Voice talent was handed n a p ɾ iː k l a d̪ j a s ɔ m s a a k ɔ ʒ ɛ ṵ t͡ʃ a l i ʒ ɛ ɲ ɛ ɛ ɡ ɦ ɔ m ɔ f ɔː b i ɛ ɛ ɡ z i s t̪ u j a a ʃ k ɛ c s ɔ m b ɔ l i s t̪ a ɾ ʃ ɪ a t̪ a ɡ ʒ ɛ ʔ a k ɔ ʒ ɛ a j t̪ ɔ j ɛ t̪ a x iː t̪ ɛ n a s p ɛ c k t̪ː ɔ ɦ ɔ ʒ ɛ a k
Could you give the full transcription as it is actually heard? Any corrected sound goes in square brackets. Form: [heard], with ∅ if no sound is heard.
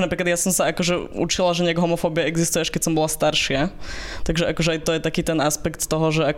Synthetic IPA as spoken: n a p ɾ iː k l a d̪ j a s ɔ m s a a k ɔ ʒ ɛ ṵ t͡ʃ [i] l [a] ʒ ɛ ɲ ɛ [a] ɡ ɦ ɔ m ɔ f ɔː b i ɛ ɛ ɡ z i s t̪ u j [ɛ] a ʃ k ɛ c s ɔ m b ɔ l [a] s t̪ a ɾ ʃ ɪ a t̪ a ɡ ʒ ɛ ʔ a k ɔ ʒ ɛ a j t̪ ɔ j ɛ t̪ a [k] iː t̪ ɛ n a s p ɛ [∅] k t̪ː ɔ ɦ ɔ ʒ ɛ a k